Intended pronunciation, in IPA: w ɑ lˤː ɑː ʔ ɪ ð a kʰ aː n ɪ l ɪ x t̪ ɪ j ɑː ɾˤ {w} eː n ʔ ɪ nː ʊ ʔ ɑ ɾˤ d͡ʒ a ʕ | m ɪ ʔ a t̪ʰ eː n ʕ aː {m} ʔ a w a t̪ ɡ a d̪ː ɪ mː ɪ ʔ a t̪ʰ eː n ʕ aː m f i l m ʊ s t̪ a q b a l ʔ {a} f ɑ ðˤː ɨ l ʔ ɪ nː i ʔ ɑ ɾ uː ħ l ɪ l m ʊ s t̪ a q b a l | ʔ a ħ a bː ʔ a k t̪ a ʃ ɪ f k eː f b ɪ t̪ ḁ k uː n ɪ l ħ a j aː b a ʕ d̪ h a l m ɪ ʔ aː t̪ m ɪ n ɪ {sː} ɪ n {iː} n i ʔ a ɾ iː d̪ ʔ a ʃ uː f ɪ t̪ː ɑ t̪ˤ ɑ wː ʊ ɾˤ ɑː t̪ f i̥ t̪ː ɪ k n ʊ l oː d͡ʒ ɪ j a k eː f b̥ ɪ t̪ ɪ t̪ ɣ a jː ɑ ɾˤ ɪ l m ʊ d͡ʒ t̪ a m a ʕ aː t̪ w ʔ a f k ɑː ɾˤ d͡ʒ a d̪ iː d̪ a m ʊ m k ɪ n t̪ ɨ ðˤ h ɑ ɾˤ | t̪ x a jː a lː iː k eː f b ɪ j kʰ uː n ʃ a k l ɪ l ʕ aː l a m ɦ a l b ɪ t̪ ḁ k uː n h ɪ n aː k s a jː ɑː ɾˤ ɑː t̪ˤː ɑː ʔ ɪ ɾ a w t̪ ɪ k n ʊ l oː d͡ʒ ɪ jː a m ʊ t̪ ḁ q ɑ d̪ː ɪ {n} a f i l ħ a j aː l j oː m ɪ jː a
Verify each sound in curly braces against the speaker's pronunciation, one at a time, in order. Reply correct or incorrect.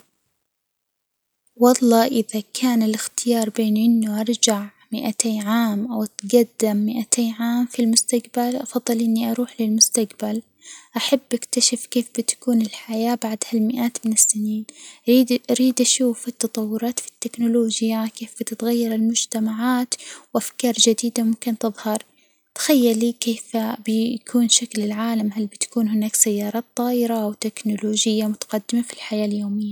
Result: incorrect: b, correct, incorrect: ɑ, correct, correct, incorrect: m

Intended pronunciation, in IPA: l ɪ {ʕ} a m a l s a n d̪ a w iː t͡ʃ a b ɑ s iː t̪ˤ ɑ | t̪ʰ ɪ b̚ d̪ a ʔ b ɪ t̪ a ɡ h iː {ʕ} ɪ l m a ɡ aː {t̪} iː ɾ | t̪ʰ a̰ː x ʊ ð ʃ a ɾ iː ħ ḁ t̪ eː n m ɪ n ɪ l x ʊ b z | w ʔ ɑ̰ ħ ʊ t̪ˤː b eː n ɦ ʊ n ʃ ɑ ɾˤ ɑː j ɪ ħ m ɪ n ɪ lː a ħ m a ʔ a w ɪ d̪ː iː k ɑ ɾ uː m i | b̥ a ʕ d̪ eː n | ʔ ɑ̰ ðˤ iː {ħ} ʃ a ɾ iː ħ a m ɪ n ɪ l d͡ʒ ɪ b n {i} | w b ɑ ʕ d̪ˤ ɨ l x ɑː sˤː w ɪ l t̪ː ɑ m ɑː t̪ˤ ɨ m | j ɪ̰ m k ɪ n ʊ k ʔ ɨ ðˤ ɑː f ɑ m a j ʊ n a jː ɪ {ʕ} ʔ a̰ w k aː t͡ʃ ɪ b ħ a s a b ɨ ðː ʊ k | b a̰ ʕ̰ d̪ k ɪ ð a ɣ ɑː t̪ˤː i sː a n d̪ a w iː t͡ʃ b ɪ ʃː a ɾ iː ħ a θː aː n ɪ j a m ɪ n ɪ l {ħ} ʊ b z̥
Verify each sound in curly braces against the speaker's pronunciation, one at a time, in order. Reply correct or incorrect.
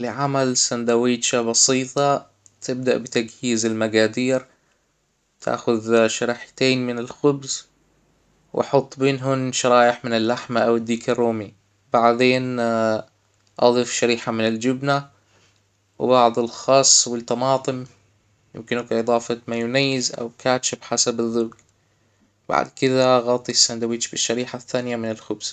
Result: correct, incorrect: z, incorrect: d̪, incorrect: f, incorrect: a, incorrect: z, incorrect: x

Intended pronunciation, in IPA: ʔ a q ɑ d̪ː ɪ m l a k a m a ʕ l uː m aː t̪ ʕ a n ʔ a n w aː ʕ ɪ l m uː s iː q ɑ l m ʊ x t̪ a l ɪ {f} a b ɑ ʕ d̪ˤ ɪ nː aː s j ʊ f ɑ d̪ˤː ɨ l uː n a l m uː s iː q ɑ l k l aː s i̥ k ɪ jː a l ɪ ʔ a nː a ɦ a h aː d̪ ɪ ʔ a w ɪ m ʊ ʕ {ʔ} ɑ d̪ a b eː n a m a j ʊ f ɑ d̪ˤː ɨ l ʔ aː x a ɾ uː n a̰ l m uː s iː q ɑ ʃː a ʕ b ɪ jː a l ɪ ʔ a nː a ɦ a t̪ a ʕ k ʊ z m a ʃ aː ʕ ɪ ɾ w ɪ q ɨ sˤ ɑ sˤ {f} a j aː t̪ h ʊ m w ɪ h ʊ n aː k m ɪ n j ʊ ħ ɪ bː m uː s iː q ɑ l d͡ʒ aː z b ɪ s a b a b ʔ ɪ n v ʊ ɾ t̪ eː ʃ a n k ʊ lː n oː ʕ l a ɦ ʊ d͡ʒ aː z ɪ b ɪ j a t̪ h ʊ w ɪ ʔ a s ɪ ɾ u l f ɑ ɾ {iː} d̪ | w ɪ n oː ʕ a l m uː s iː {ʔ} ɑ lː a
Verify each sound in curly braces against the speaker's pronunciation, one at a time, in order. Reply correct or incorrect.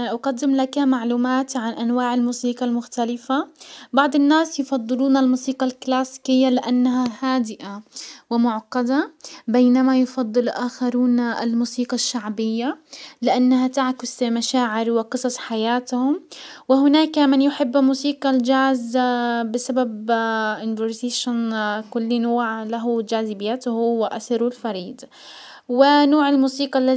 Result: correct, incorrect: q, incorrect: ħ, correct, incorrect: q

